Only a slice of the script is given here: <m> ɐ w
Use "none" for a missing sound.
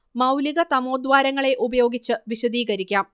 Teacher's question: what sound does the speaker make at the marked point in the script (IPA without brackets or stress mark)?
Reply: m